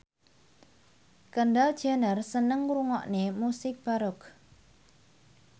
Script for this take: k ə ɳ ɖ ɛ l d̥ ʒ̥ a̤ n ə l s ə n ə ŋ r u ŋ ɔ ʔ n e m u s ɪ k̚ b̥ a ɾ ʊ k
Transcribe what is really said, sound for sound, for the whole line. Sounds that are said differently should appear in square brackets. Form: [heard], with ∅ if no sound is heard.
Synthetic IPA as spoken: k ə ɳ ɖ [a] l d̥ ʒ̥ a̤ n ə [r] s ə n ə ŋ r u ŋ ɔ ʔ n e m u s ɪ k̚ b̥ a ɾ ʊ k